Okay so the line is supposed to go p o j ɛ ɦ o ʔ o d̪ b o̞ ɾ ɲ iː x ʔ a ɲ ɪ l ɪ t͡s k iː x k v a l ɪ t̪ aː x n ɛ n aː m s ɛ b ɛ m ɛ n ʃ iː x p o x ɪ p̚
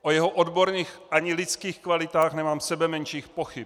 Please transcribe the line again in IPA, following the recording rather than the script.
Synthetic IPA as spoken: ʔ o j ɛ ɦ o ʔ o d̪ b o̞ ɾ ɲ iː x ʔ a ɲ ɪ l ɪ t͡s k iː x k v a l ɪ t̪ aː x n ɛ m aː m s ɛ b ɛ m ɛ n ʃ iː x p o x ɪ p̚